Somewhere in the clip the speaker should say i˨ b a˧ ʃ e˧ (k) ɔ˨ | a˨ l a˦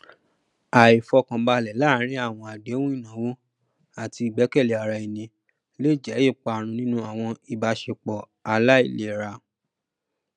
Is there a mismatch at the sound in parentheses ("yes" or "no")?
yes